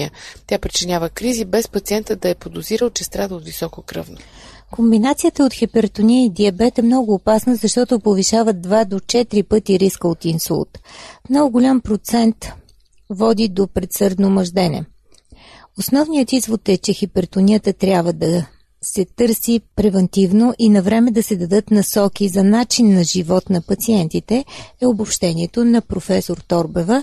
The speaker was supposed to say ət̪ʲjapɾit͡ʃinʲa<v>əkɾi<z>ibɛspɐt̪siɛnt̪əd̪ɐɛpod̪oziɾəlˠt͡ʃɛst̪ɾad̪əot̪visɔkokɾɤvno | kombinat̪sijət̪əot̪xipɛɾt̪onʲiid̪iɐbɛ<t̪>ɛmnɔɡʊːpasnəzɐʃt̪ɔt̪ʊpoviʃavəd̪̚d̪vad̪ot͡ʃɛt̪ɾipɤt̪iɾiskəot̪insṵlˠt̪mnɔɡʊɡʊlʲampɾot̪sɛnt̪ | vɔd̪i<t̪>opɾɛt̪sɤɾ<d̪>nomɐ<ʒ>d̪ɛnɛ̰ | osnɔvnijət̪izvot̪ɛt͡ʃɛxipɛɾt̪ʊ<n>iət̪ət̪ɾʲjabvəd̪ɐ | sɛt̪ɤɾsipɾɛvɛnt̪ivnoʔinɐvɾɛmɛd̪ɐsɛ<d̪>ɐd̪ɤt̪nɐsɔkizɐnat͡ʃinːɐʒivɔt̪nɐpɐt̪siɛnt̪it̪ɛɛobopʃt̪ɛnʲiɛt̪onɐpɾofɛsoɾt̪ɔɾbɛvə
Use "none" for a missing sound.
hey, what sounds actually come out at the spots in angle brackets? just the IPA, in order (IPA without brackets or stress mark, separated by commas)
v, z, t̪, d̪, d̪, ʒ, n, d̪